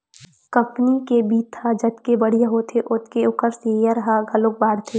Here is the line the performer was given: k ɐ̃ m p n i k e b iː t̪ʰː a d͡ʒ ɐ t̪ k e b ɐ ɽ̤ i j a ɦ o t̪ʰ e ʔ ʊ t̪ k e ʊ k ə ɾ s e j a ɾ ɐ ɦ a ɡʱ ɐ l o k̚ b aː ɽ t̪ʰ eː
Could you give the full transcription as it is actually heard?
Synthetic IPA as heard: k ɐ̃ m p n i k e b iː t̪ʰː a d͡ʒ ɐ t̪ k e b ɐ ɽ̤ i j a ɦ o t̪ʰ e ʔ ʊ t̪ k e ʊ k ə ɾ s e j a ɾ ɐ ɦ a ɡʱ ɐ l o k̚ b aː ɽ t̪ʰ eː

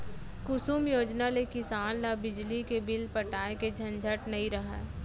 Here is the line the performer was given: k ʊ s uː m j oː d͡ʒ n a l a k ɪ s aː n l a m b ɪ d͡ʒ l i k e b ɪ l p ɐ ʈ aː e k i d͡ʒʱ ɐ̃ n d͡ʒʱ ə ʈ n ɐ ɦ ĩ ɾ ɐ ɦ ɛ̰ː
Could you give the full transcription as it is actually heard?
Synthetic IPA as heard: k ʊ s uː m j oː d͡ʒ n a l e k ɪ s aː n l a b ɪ d͡ʒ l i k e b ɪ l p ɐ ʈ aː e k e d͡ʒʱ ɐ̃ n d͡ʒʱ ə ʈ n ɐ ɦ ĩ ɾ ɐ ɦ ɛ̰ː

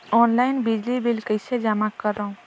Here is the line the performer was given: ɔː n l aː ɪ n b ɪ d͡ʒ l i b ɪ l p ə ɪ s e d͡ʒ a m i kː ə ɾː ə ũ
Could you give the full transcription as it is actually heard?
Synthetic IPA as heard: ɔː n l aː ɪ n b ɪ d͡ʒ l i b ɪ l k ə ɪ s e d͡ʒ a m a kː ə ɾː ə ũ

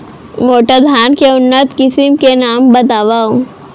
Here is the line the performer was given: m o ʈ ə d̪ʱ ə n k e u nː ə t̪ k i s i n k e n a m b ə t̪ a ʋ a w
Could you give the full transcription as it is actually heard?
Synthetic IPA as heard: m o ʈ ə d̪ʱ a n k e u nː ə t̪ k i s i m k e n a m b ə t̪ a ʋ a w

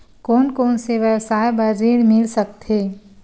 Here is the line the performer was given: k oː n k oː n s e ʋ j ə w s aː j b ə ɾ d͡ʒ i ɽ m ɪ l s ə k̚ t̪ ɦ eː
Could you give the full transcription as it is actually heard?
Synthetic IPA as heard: k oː n k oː n s e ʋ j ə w s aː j b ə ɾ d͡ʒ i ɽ m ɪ l s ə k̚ t̪ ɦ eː

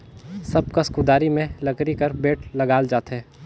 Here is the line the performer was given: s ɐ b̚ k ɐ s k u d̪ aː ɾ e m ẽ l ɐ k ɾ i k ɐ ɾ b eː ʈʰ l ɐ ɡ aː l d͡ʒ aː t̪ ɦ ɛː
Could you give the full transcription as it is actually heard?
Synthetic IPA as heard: s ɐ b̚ k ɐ s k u d̪ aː ɾ i m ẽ l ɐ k ɾ i k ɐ ɾ b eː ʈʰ l ɐ ɡ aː l d͡ʒ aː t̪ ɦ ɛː

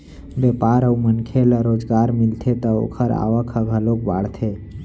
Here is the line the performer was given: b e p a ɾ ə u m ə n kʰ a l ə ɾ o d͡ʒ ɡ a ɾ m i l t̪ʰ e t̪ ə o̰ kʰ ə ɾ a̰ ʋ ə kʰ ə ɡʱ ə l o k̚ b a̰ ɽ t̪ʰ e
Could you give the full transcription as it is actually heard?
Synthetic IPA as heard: b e p a ɾ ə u m ə n kʰ e l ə ɾ o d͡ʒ ɡ a ɾ m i l t̪ʰ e t̪ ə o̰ kʰ ə ɾ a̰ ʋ ə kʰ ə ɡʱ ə l o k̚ b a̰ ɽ t̪ʰ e

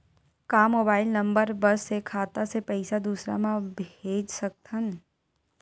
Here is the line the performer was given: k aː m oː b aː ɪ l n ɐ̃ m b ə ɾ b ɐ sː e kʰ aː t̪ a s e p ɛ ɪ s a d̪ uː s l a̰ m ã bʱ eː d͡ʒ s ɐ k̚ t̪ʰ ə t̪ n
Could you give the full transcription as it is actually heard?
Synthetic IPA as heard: k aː m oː b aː ɪ l n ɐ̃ m b ə ɾ b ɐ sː e kʰ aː t̪ a s e p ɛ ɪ s a d̪ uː s ɾ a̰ m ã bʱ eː d͡ʒ s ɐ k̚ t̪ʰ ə n

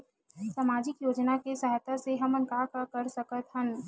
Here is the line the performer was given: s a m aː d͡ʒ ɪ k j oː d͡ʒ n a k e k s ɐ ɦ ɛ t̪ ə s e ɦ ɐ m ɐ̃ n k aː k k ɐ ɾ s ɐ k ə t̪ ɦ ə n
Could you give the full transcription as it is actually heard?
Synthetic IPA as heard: s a m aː d͡ʒ ɪ k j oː d͡ʒ n a k e s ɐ ɦ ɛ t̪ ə s e ɦ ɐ m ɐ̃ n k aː k k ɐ ɾ s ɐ k ə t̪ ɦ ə n

